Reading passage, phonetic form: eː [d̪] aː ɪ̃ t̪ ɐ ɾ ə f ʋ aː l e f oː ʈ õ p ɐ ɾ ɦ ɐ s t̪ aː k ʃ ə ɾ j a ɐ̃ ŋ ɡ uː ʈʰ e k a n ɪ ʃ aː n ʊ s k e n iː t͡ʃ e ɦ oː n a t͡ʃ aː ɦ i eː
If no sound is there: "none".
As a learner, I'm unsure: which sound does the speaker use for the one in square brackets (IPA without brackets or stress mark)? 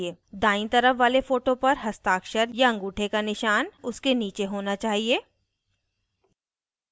d̪